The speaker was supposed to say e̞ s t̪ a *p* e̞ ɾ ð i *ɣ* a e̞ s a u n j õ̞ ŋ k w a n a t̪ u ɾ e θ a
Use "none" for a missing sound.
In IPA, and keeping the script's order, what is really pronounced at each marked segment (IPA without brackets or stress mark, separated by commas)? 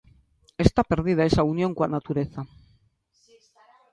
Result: p, ð